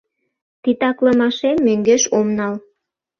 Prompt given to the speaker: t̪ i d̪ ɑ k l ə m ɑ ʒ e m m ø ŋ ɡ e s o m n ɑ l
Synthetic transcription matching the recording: t̪ i t̪ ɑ k l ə m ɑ ʃ e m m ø ŋ ɡ e ʃ o m n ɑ l

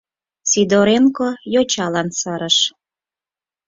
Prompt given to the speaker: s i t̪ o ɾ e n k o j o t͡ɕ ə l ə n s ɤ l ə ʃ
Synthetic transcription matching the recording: s i d̪ o ɾ e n k o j o t͡ɕ ɑ l ɑ n s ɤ ɾ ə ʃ

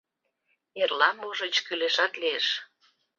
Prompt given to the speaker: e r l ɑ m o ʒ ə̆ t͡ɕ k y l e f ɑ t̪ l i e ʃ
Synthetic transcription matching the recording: e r l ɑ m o ʒ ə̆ t͡ɕ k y l e ʃ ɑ t̪ l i e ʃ

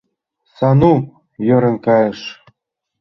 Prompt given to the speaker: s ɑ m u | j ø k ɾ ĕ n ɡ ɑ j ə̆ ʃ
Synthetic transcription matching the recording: s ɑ n u | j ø ɾ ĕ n k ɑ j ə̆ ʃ

